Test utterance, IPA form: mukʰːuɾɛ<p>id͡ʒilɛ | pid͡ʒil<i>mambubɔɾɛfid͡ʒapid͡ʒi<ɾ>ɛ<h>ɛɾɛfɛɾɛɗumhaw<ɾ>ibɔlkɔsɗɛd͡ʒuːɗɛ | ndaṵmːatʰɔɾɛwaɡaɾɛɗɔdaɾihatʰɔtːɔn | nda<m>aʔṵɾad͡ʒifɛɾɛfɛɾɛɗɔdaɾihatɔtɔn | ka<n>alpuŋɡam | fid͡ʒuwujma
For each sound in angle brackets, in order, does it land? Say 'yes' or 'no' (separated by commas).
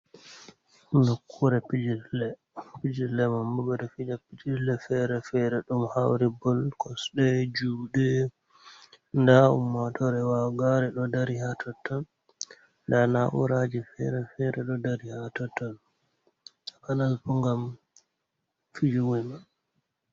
yes, no, no, no, yes, no, yes